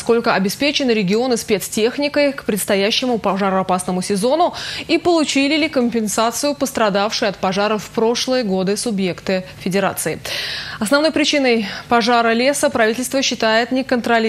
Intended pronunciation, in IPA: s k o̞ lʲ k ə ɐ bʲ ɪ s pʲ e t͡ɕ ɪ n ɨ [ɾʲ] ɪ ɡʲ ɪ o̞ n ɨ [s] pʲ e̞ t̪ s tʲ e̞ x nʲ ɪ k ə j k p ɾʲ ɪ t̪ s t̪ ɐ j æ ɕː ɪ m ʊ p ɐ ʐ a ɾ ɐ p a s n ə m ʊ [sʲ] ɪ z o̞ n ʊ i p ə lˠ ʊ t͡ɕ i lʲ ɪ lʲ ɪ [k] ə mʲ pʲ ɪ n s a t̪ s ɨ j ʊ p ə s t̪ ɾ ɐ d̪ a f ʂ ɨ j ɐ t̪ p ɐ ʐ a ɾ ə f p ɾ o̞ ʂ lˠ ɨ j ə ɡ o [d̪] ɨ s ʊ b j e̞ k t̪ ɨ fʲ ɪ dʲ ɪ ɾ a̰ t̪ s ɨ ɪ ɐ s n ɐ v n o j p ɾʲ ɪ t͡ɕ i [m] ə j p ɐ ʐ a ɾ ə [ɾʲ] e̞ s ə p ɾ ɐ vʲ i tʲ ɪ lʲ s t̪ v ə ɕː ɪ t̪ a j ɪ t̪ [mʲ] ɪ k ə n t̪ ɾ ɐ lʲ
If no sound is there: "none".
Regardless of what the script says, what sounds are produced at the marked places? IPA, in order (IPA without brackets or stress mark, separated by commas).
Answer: ɾʲ, s, sʲ, k, d̪, n, lʲ, nʲ